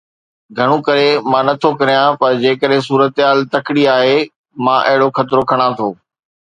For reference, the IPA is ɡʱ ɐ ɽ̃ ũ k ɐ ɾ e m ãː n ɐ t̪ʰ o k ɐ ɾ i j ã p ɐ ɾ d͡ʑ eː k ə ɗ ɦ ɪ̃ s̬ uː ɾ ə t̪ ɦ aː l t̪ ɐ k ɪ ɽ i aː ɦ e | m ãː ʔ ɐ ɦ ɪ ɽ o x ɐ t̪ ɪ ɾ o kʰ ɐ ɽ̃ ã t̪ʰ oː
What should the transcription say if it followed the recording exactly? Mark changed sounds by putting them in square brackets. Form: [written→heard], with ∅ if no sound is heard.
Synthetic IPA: ɡʱ ɐ ɽ̃ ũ k ɐ ɾ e m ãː n ɐ t̪ʰ o k ɐ ɾ i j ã p ɐ ɾ d͡ʑ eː k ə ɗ ɦ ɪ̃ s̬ uː ɾ ə t̪ ɦ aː l t̪ ɐ k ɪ ɽ i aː ɦ e | m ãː ʔ ɐ ɦ ɪ ɽ o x ɐ t̪ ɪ ɾ o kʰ ɐ ɽ̃ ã t̪ʰ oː

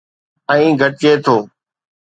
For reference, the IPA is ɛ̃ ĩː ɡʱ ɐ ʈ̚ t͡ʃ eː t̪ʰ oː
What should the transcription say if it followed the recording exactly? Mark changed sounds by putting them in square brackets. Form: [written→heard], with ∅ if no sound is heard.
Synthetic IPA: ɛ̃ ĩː ɡʱ [ɐ→ə] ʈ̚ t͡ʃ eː t̪ʰ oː

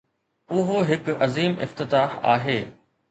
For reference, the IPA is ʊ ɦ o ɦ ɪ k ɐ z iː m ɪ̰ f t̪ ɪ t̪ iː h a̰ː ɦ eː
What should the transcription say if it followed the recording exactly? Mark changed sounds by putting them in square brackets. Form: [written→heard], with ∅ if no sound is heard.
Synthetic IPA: ʊ ɦ o ɦ ɪ k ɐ z iː m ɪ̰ f t̪ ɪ t̪ [iː→aː] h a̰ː ɦ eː

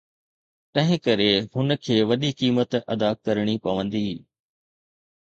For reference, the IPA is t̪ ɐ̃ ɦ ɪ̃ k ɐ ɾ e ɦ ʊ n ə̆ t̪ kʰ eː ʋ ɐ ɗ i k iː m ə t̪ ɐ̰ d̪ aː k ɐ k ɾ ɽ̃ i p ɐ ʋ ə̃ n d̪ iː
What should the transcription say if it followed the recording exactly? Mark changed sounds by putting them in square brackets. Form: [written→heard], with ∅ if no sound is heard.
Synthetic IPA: t̪ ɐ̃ ɦ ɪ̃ k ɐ ɾ e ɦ ʊ n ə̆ [t̪→∅] kʰ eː ʋ ɐ ɗ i k iː m ə t̪ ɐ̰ d̪ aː k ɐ [k→∅] ɾ ɽ̃ i p ɐ ʋ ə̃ n d̪ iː

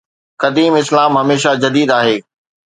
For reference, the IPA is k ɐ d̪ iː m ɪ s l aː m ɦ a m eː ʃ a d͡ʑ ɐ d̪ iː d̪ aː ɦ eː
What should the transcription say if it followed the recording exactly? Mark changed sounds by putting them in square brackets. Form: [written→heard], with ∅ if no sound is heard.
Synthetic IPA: k ɐ d̪ iː m ɪ s l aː m ɦ [a→ɐ] m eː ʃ a d͡ʑ ɐ d̪ iː d̪ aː ɦ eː

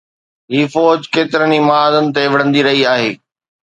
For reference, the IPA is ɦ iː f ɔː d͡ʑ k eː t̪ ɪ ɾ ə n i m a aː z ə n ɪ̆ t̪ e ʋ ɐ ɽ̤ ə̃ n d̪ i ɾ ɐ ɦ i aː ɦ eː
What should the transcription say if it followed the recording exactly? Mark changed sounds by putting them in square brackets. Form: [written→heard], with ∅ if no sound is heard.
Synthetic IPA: ɦ iː f ɔː d͡ʑ k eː t̪ ɪ ɾ ə n i m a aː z ə n ɪ̆ t̪ e ʋ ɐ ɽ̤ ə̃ n d̪ i ɾ ɐ ɦ i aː ɦ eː

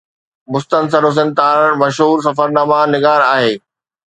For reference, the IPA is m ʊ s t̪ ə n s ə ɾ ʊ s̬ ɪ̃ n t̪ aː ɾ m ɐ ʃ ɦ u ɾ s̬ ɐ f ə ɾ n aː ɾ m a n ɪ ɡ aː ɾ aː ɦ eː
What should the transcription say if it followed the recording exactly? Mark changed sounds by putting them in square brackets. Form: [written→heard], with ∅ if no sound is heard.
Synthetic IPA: m ʊ s t̪ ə n s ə ɾ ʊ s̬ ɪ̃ n t̪ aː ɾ m ɐ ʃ ɦ [u→uː] ɾ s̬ ɐ f ə ɾ n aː [ɾ→∅] m a n ɪ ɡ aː ɾ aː ɦ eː

